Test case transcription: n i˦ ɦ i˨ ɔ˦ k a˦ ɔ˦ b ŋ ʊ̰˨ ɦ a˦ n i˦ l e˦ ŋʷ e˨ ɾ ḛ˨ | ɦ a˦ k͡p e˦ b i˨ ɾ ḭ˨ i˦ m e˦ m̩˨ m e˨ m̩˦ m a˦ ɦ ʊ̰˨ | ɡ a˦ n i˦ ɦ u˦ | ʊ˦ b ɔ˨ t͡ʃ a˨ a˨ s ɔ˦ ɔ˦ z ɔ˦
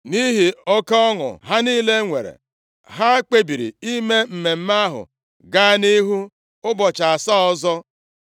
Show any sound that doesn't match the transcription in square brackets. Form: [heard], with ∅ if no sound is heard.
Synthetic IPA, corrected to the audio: n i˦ ɦ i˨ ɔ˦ k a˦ ɔ˦ [∅] ŋ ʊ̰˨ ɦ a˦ n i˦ l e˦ ŋʷ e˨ ɾ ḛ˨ | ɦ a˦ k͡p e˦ b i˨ ɾ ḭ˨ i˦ m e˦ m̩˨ m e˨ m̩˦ m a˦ ɦ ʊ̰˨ | ɡ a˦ n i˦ ɦ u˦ | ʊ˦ b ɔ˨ t͡ʃ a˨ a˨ s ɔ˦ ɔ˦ z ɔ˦

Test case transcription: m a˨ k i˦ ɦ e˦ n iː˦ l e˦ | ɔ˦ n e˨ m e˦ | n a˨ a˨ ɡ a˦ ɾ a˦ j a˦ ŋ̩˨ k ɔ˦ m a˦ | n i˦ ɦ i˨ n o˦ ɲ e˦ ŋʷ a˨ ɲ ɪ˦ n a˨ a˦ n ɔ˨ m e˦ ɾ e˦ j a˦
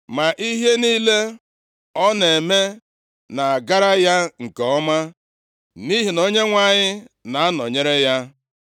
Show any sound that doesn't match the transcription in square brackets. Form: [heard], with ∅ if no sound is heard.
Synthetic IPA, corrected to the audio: m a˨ [ʔ] i˦ ɦ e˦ n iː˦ l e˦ | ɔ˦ n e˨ m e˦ | n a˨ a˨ ɡ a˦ ɾ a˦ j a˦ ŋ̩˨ k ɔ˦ m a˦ | n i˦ ɦ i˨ n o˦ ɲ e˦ ŋʷ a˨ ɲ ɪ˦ n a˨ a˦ n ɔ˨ [ɲ] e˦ ɾ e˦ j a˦

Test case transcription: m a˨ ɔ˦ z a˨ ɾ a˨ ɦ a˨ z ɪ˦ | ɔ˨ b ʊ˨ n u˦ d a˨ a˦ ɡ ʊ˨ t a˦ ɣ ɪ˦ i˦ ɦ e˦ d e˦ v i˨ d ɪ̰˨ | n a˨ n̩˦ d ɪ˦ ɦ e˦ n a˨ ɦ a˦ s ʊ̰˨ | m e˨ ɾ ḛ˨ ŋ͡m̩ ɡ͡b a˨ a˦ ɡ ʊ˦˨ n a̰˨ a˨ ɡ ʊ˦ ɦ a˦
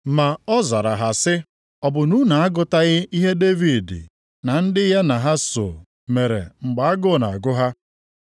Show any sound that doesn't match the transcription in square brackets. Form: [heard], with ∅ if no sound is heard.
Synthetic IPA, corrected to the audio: m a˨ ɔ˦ z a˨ ɾ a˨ ɦ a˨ [s] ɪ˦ | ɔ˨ b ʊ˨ n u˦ [n] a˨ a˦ ɡ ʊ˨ t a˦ ɣ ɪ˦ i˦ ɦ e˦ d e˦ v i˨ d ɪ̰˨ | n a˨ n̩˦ d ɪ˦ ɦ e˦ n a˨ ɦ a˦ s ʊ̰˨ | m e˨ ɾ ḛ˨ ŋ͡m̩ ɡ͡b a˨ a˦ ɡ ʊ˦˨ n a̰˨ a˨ ɡ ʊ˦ ɦ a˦

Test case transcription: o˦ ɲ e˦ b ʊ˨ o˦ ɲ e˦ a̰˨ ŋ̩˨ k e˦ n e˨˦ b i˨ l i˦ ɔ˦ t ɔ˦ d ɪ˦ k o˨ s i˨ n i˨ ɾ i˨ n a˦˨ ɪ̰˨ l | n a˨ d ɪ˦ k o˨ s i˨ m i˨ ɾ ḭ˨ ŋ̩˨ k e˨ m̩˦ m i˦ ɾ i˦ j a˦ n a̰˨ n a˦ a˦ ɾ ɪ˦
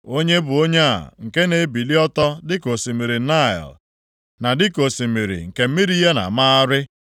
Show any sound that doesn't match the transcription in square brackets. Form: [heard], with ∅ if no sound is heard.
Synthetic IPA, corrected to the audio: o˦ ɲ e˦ b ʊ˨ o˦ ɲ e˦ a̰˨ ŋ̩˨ k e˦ n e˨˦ b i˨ l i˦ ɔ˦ t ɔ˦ d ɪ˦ k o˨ s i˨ [m] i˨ ɾ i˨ n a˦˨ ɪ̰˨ l | n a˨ d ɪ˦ k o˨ s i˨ m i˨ ɾ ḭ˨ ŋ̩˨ k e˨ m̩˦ m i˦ ɾ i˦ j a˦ n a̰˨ [m] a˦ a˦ ɾ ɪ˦

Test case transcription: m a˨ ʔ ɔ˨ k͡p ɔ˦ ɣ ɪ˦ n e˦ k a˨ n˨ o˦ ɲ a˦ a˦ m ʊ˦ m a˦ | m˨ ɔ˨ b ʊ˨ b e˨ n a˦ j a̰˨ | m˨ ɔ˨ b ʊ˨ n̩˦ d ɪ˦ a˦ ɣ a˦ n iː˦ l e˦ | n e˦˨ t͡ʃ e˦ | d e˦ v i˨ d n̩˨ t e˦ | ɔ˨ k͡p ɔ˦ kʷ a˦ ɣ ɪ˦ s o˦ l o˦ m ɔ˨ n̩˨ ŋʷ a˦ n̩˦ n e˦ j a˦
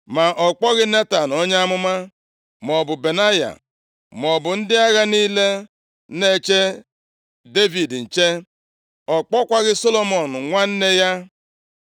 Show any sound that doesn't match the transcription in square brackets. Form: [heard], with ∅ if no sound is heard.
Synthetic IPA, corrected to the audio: m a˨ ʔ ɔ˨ k͡p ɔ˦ ɣ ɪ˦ n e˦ [t] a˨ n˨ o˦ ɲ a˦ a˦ m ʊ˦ m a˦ | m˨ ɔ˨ b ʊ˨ b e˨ n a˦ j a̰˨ | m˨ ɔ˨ b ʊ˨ n̩˦ d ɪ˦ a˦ ɣ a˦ n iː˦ l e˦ | n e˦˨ t͡ʃ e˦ | d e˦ v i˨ d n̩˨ [t͡ʃ] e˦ | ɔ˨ k͡p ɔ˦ kʷ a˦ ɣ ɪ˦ s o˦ l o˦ m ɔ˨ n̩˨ ŋʷ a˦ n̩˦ n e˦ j a˦

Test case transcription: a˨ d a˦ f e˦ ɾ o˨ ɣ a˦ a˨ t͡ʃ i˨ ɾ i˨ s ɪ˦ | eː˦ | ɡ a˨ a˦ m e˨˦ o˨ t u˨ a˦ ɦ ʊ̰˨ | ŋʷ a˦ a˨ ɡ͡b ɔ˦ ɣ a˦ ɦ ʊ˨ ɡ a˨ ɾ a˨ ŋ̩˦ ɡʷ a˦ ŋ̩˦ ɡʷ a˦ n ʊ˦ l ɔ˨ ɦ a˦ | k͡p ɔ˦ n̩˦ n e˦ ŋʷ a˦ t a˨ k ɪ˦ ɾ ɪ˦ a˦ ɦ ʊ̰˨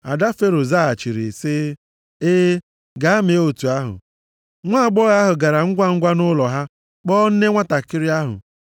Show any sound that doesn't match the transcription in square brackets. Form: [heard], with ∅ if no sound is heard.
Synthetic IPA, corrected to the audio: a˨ d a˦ f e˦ ɾ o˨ [z] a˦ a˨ t͡ʃ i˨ ɾ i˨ s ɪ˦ | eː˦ | ɡ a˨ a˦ m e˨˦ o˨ t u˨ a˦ ɦ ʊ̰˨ | ŋʷ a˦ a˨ ɡ͡b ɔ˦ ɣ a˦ ɦ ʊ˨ ɡ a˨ ɾ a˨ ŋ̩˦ ɡʷ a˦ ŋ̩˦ ɡʷ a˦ n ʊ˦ l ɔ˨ ɦ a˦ | k͡p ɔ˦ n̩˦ n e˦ ŋʷ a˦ t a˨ k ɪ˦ ɾ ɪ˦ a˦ ɦ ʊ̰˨

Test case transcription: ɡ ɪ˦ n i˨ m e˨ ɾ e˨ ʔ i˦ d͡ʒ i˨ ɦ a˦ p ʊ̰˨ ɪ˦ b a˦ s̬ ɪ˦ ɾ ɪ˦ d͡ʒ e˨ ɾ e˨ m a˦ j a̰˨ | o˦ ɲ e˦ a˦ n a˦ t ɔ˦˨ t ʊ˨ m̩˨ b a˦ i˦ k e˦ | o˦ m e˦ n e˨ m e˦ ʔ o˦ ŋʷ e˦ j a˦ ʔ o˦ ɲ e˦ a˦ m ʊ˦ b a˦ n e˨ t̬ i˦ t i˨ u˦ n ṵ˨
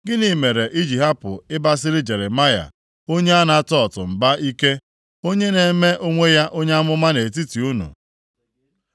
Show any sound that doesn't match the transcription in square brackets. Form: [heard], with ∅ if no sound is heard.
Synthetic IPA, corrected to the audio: ɡ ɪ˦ n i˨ m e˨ ɾ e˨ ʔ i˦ d͡ʒ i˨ ɦ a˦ p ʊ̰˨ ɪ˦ b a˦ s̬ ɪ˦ ɾ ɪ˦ d͡ʒ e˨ ɾ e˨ m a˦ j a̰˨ | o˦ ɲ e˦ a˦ n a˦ t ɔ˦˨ t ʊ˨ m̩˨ b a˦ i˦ k e˦ | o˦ [ɲ] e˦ n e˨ m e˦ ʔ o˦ ŋʷ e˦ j a˦ ʔ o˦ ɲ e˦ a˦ m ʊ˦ [m] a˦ n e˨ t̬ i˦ t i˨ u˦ n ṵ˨

